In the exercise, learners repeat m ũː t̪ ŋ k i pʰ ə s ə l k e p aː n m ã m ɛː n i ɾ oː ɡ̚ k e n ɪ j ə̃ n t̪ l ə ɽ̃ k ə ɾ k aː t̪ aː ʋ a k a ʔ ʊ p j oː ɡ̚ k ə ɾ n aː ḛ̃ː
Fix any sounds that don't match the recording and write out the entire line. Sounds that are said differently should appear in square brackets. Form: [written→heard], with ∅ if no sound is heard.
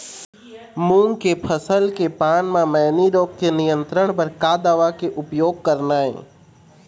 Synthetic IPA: m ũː [t̪→∅] ŋ k [i→e] pʰ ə s ə l k e p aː n m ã m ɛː n i ɾ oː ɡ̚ k e n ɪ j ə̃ n t̪ [l→ɾ] ə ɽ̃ [k→p] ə ɾ k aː [t̪→d̪] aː ʋ a k [a→e] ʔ ʊ p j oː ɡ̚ k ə ɾ n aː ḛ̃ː